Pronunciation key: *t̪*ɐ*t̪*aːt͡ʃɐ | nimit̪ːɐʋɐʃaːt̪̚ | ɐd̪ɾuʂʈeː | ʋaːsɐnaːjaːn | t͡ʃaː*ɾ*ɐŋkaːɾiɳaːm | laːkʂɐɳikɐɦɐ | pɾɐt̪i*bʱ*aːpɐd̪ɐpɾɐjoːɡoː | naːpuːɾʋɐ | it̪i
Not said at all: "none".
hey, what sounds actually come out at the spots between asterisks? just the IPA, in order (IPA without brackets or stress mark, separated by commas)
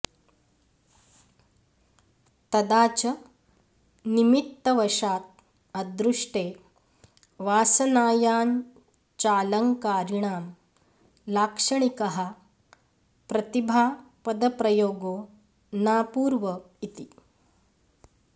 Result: t̪, d̪, l, bʱ